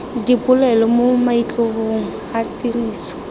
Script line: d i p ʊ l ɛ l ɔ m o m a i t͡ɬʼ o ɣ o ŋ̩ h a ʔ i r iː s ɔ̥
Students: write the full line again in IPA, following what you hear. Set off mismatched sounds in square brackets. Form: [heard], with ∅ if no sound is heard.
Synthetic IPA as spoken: d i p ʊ l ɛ l ɔ m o m a i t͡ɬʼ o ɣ o ŋ̩ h a [t] i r iː s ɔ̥